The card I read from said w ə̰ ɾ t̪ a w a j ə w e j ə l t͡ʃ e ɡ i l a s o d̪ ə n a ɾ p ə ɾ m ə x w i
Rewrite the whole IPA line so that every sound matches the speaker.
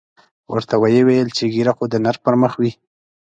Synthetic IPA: w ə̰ ɾ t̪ a w a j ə w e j ə l t͡ʃ e ɡ i ɾ a x o d̪ ə n a ɾ p ə ɾ m ə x w i